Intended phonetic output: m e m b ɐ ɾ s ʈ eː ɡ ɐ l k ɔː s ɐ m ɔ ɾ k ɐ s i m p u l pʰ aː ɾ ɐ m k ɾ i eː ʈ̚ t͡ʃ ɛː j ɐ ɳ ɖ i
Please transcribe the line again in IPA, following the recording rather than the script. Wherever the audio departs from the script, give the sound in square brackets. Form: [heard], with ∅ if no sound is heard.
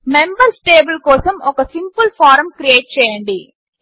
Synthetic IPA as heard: m e m b ɐ ɾ s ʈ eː [b] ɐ l k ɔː s ɐ m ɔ [∅] k ɐ s i m p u l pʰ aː ɾ ɐ m k ɾ i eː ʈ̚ t͡ʃ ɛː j ɐ ɳ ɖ i